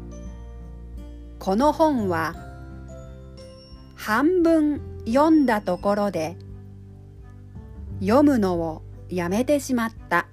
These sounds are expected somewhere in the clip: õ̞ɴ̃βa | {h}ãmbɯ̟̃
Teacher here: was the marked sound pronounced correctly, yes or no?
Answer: yes